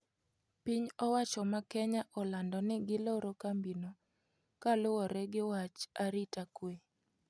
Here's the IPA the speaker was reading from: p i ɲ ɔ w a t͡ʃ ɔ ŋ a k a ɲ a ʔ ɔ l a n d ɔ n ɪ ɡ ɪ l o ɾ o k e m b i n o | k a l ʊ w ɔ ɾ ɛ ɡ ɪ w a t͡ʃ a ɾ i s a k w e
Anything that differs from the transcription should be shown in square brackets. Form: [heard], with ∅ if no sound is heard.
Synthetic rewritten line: p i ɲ ɔ w a t͡ʃ ɔ [m] a k [ɛ] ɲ a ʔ ɔ l a n d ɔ n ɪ ɡ ɪ l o ɾ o k [a] m b i n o | k a l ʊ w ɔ ɾ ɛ ɡ ɪ w a t͡ʃ a ɾ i [t] a k w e